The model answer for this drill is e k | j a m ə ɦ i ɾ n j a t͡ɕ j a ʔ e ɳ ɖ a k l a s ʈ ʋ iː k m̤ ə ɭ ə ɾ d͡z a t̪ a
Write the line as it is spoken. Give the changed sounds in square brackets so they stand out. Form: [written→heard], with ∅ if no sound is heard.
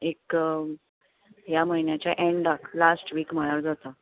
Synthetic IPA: e k | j a m ə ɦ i [ɾ→∅] n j a t͡ɕ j a ʔ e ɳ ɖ a k l a s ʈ ʋ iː k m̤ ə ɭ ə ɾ d͡z a t̪ a